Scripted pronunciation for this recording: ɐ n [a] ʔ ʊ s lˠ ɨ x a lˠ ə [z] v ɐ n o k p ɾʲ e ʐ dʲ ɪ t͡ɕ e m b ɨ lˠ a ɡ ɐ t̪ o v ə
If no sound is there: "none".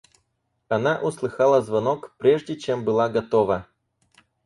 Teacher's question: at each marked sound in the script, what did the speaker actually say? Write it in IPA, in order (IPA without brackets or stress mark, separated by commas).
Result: a, z